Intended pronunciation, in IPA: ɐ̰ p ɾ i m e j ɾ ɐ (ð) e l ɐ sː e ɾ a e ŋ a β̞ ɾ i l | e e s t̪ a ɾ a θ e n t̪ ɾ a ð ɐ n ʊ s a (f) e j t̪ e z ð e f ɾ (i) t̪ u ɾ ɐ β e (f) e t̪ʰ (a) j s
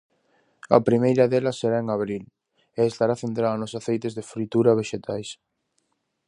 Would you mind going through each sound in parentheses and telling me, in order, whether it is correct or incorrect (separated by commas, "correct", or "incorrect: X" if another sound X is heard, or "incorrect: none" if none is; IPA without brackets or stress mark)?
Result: correct, incorrect: θ, correct, incorrect: ʃ, correct